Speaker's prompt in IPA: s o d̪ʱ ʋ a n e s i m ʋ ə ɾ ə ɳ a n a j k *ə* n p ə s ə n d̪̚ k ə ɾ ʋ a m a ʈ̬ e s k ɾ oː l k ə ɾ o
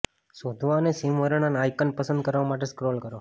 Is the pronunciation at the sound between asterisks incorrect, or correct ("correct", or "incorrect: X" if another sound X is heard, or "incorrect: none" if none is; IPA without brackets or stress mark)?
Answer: correct